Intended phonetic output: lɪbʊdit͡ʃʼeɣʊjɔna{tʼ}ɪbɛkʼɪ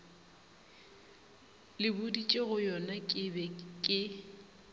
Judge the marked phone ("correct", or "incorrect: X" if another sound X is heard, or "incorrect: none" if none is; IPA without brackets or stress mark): incorrect: kʼ